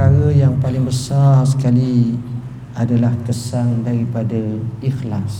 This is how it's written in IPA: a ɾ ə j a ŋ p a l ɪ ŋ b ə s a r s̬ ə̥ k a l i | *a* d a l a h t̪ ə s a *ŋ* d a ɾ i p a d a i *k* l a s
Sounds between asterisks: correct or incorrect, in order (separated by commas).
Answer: correct, correct, incorrect